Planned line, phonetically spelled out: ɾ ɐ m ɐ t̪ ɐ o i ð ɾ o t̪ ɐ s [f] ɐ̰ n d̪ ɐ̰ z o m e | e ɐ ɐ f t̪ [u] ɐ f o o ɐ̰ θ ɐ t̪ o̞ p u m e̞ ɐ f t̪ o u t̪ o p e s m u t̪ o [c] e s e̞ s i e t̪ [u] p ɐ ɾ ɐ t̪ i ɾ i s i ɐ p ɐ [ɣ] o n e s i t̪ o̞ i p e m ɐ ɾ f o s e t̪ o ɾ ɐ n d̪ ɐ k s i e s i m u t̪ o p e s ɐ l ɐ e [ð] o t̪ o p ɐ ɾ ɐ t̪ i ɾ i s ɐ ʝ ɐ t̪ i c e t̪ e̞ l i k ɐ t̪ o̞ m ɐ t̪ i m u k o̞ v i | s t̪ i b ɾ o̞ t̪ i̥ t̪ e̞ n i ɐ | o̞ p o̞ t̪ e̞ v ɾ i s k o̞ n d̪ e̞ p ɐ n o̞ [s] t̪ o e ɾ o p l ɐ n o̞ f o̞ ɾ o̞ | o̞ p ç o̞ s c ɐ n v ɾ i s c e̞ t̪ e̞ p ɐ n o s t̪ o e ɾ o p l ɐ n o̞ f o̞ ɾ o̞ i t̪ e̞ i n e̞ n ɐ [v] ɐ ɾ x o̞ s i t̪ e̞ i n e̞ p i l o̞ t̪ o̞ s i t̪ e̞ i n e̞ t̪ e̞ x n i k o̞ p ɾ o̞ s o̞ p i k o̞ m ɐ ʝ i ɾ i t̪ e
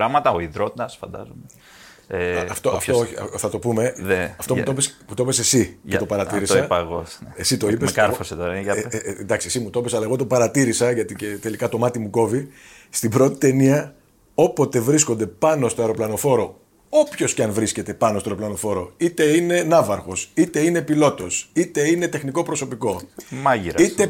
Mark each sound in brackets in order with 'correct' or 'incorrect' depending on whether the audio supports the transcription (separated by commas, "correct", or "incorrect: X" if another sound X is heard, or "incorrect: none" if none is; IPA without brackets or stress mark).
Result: correct, incorrect: o, incorrect: p, incorrect: o, correct, incorrect: ɣ, correct, correct